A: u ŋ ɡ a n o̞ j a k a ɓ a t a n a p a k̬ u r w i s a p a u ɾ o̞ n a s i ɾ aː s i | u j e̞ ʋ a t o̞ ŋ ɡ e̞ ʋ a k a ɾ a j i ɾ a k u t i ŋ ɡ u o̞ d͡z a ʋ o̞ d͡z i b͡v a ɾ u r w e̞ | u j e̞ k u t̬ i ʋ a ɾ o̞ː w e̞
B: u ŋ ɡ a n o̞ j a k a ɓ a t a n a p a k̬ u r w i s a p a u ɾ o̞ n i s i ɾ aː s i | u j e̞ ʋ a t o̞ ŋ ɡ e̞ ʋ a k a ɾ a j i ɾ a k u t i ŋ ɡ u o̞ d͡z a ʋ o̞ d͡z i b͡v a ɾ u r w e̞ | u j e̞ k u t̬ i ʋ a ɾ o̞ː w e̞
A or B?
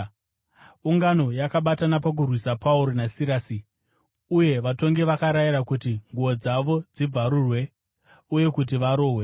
A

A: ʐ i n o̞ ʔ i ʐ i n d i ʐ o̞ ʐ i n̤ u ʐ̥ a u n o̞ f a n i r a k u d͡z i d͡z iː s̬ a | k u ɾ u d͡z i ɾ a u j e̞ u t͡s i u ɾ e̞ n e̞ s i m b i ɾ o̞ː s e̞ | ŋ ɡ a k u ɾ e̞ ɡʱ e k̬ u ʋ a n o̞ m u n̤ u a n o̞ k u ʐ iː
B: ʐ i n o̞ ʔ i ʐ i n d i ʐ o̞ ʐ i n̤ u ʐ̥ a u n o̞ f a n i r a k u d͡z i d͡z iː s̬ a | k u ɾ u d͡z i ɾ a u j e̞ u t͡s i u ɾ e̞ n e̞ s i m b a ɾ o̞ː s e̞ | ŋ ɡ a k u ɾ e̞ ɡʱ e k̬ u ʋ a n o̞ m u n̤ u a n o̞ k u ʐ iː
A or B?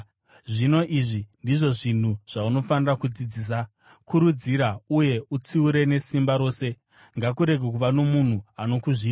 B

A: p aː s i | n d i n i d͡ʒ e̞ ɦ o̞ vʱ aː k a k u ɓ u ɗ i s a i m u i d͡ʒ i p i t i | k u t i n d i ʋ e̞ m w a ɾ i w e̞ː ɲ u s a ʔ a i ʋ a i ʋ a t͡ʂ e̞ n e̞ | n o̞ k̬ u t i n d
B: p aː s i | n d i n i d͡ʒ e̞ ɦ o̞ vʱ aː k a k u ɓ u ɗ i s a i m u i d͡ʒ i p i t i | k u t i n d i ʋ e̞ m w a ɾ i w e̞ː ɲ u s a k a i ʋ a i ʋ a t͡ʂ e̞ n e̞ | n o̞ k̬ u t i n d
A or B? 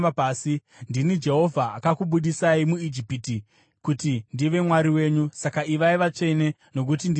B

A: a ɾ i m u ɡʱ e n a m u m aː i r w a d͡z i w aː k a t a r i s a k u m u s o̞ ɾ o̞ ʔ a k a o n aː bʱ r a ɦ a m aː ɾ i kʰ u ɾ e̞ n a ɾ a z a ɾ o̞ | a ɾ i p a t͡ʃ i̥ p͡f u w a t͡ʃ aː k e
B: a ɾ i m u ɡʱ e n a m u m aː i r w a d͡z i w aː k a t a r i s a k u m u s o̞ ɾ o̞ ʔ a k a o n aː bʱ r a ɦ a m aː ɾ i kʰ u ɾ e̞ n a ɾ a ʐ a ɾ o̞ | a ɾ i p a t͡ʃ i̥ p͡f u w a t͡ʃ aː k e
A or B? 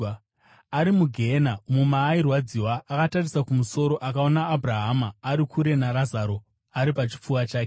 A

